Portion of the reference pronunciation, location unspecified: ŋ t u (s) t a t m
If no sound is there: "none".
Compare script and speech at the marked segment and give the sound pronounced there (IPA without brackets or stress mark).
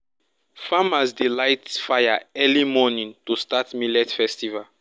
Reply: s